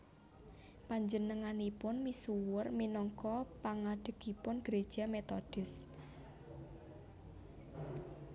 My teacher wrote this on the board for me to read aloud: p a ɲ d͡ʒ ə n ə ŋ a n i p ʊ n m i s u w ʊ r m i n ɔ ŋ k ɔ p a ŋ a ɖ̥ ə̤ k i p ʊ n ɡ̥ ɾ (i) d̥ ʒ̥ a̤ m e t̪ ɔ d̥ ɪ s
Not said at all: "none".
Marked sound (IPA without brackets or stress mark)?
e